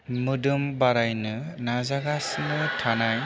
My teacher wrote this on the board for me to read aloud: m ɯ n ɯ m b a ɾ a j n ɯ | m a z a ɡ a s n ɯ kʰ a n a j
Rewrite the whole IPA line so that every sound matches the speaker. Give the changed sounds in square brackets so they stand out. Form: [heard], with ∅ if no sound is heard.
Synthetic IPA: m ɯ [d] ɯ m b a ɾ a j n ɯ | [n] a z a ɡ a s n ɯ [tʰ] a n a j